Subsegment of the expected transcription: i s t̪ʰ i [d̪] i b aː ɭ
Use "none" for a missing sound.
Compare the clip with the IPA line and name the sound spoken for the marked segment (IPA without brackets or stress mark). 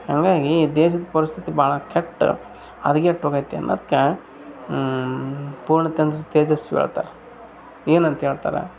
t̪